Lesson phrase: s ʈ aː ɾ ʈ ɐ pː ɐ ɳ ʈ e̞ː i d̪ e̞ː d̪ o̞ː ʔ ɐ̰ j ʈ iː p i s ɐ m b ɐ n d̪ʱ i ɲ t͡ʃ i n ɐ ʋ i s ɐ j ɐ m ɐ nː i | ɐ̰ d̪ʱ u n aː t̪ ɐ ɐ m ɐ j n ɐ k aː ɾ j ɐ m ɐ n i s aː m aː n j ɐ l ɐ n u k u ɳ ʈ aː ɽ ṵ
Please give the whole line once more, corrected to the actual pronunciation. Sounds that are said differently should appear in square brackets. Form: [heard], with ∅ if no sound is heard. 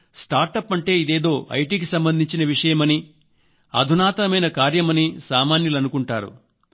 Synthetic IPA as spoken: s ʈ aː ɾ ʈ ɐ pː ɐ ɳ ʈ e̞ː i d̪ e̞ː d̪ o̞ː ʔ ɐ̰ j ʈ iː [k] i s ɐ m b ɐ n d̪ʱ i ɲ t͡ʃ i n ɐ ʋ i [ʂ] ɐ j ɐ m ɐ [n] i | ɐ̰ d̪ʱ u n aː t̪ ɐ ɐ m ɐ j n ɐ k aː ɾ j ɐ m ɐ n i s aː m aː n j ɐ l ɐ n u k u ɳ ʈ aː [ɾ] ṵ

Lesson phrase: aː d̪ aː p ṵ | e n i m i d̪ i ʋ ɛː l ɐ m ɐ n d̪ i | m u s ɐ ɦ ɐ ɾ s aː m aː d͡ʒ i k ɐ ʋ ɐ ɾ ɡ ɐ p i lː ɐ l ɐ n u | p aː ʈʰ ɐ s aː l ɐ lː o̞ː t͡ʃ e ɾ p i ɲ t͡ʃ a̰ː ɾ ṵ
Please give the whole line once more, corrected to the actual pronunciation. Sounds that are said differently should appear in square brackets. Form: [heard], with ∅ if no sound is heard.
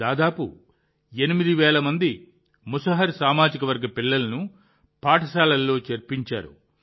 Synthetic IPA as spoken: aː d̪ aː p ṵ | e n i m i d̪ i ʋ ɛː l ɐ m ɐ n d̪ i | m u s ɐ ɦ ɐ ɾ s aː m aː d͡ʒ i k ɐ ʋ ɐ ɾ ɡ ɐ p i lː ɐ l ɐ n u | p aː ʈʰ ɐ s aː l ɐ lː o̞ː t͡ʃ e ɾ p i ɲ t͡ʃ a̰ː ɾ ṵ

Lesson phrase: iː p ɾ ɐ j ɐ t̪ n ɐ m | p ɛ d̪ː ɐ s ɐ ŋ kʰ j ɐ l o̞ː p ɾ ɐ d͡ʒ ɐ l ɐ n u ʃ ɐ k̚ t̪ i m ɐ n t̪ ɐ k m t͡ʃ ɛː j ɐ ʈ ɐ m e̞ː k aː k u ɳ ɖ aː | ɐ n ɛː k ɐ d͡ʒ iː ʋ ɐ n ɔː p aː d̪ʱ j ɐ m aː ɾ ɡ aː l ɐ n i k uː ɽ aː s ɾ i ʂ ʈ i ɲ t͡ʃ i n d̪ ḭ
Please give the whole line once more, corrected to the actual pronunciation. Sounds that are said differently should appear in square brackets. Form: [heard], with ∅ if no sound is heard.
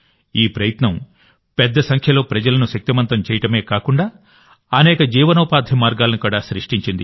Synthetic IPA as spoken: iː p ɾ ɐ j ɐ t̪ n ɐ m | p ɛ d̪ː ɐ s ɐ ŋ kʰ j ɐ l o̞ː p ɾ ɐ d͡ʒ ɐ l ɐ n u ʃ ɐ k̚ t̪ i m ɐ n t̪ ɐ [∅] m t͡ʃ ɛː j ɐ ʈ ɐ m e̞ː k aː k u ɳ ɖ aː | ɐ n ɛː k ɐ d͡ʒ iː ʋ ɐ n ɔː p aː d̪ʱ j ɐ m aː ɾ ɡ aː l ɐ n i k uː ɽ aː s ɾ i ʂ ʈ i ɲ t͡ʃ i n d̪ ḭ

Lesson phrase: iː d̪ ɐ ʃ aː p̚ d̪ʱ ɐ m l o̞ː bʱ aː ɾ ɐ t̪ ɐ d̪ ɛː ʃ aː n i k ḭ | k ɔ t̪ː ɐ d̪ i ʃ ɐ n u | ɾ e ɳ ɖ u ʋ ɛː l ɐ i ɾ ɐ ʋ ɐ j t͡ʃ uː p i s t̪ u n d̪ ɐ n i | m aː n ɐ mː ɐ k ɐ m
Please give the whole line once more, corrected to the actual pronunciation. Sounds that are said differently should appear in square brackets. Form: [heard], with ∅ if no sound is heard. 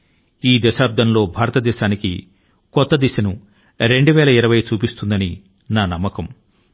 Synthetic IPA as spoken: iː d̪ ɐ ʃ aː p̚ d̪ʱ ɐ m l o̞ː bʱ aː ɾ ɐ t̪ ɐ d̪ ɛː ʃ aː n i k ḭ | k ɔ t̪ː ɐ d̪ i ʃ ɐ n u | ɾ e ɳ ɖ u ʋ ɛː l ɐ i ɾ ɐ ʋ ɐ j t͡ʃ uː p i s t̪ u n d̪ ɐ n i | [n] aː n ɐ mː ɐ k ɐ m

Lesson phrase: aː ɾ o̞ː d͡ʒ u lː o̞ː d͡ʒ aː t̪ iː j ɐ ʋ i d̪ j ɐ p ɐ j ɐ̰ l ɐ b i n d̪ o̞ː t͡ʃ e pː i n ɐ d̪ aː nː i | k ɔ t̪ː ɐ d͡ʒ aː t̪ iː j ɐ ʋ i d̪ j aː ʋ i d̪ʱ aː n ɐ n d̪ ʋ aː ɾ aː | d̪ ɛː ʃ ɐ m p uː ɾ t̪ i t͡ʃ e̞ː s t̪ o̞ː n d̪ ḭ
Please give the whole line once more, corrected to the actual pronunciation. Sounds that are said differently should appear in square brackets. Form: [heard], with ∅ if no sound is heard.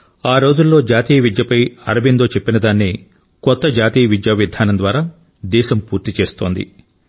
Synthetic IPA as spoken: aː ɾ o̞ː d͡ʒ u lː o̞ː d͡ʒ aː t̪ iː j ɐ ʋ i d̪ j ɐ p ɐ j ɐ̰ [ɾ] ɐ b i n d̪ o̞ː t͡ʃ e pː i n ɐ d̪ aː nː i | k ɔ t̪ː ɐ d͡ʒ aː t̪ iː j ɐ ʋ i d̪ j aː ʋ i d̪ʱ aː n ɐ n d̪ ʋ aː ɾ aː | d̪ ɛː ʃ ɐ m p uː ɾ t̪ i t͡ʃ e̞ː s t̪ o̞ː n d̪ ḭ

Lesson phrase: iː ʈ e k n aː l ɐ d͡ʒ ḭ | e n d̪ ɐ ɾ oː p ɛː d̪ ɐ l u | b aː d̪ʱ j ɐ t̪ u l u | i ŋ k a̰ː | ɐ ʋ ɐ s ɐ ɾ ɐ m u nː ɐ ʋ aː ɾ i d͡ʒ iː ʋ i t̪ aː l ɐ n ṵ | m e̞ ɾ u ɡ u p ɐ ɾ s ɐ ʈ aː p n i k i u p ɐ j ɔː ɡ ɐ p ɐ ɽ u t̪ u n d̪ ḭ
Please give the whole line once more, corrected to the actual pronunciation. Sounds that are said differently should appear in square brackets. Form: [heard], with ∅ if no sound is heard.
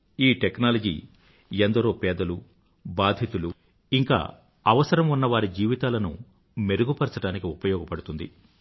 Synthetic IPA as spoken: iː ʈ e k n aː l ɐ d͡ʒ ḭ | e n d̪ ɐ ɾ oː p ɛː d̪ ɐ l u | b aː d̪ʱ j ɐ t̪ u l u | i ŋ k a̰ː | ɐ ʋ ɐ s ɐ ɾ ɐ m u nː ɐ ʋ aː ɾ i d͡ʒ iː ʋ i t̪ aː l ɐ n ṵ | m e̞ ɾ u ɡ u p ɐ ɾ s ɐ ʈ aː [∅] n i k i u p ɐ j ɔː ɡ ɐ p ɐ ɽ u t̪ u n d̪ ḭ

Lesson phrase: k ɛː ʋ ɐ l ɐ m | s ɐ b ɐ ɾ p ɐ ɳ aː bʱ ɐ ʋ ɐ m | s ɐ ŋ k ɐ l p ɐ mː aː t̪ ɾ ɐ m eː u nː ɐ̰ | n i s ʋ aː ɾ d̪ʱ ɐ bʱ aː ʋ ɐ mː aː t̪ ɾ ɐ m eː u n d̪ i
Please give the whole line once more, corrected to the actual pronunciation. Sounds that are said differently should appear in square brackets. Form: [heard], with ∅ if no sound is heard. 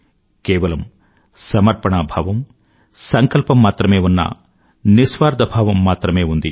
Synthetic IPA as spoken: k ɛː ʋ ɐ l ɐ m | s ɐ [m] ɐ ɾ p ɐ ɳ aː bʱ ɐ ʋ ɐ m | s ɐ ŋ k ɐ l p ɐ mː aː t̪ ɾ ɐ m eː u nː ɐ̰ | n i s ʋ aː ɾ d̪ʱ ɐ bʱ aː ʋ ɐ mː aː t̪ ɾ ɐ m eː u n d̪ i

